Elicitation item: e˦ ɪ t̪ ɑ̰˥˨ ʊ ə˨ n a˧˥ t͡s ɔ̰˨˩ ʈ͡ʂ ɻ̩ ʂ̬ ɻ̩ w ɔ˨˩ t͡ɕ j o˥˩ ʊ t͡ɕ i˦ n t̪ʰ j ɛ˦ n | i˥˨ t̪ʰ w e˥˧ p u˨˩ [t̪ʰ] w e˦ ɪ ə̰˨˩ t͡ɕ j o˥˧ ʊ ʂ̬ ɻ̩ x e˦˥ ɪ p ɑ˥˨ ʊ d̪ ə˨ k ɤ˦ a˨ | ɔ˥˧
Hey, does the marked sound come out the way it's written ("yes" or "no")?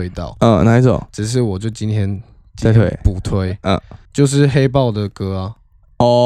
yes